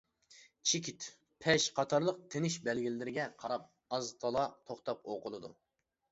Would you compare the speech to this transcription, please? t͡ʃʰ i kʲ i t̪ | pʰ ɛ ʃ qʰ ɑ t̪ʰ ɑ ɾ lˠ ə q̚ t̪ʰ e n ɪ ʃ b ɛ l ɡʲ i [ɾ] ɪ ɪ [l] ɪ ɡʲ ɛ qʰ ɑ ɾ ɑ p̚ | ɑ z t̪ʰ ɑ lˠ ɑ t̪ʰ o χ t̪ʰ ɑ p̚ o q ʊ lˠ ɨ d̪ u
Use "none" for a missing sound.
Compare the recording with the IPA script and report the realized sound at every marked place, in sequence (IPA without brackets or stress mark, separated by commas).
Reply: l, ɾ